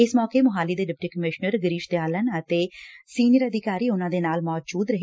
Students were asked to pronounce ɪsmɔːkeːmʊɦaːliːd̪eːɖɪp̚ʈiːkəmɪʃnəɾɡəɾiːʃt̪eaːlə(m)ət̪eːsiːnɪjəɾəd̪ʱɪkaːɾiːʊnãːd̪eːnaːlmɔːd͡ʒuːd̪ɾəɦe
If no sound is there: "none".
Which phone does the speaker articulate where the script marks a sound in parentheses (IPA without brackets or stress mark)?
n